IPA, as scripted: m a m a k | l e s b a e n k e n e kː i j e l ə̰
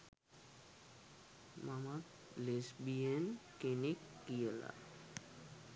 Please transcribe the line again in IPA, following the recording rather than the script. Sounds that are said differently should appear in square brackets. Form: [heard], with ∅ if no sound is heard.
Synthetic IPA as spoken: m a m a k | l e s b [i] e n k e n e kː i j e l [a̰]

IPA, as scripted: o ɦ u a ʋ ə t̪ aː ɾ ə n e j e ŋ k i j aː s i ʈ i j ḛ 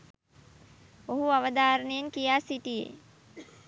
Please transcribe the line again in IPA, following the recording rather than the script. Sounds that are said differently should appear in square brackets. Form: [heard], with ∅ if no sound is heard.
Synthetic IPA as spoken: o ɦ u a ʋ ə [d̪] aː ɾ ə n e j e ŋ k i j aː s i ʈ i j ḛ

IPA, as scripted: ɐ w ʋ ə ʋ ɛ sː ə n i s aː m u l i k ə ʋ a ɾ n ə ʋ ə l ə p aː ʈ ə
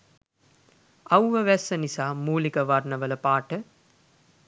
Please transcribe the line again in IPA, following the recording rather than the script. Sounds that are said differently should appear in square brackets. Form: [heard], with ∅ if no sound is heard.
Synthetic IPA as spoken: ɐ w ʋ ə ʋ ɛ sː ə n i s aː m [uː] l i k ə ʋ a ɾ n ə ʋ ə l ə p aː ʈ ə

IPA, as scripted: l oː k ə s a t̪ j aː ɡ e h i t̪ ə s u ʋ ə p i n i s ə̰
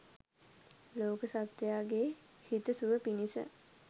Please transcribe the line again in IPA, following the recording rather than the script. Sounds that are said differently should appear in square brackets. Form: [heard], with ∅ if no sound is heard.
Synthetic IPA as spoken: l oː k ə s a t̪ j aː ɡ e h i t̪ ə s u ʋ ə p i n i s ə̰

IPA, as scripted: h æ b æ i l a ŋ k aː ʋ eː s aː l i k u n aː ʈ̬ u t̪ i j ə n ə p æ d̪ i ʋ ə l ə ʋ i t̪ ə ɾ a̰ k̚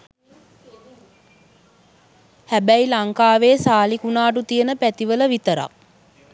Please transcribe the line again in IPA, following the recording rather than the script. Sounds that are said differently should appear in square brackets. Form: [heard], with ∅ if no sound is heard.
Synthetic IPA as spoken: h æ b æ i l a ŋ k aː ʋ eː s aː l i k u n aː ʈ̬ u t̪ i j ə n ə p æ [t̪] i ʋ ə l ə ʋ i t̪ ə ɾ a̰ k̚

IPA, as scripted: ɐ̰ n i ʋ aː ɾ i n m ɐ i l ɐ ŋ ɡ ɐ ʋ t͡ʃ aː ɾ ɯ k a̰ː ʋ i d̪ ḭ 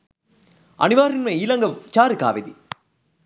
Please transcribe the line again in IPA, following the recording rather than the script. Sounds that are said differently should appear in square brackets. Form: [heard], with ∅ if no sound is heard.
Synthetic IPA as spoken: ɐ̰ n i ʋ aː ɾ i n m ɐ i l ɐ ŋ ɡ ɐ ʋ t͡ʃ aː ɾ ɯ k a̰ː ʋ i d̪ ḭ

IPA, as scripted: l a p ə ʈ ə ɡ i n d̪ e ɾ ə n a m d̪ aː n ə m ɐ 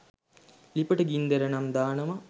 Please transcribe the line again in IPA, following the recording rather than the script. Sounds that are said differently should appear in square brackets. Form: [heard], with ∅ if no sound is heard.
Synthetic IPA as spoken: l [i] p ə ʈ ə ɡ i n d̪ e ɾ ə n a m d̪ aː n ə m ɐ

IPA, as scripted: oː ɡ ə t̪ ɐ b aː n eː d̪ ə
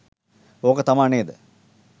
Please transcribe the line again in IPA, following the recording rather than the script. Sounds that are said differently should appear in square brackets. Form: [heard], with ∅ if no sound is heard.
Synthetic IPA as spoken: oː [k] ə t̪ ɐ [m] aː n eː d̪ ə

